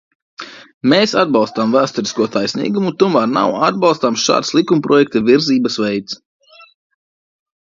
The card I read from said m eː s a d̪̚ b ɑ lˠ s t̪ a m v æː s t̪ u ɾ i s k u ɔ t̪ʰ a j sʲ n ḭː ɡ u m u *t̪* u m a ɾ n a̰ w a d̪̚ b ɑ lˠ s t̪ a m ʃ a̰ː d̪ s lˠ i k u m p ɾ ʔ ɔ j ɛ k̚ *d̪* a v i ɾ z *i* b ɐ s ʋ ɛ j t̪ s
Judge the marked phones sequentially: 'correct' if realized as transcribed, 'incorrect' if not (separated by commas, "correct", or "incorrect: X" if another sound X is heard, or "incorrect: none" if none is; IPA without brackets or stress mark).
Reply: correct, incorrect: t̪, incorrect: iː